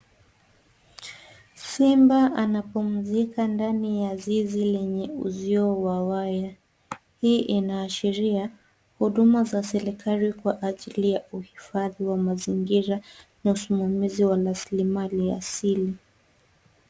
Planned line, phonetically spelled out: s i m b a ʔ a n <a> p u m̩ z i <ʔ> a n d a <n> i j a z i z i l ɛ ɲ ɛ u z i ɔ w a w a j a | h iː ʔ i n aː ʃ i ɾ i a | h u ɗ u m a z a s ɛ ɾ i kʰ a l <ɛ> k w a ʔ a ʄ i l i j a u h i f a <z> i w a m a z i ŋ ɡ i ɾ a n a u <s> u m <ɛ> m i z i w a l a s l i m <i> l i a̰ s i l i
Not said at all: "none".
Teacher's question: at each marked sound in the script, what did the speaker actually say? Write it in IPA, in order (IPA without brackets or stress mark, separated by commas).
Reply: a, k, n, i, ð, s, a, a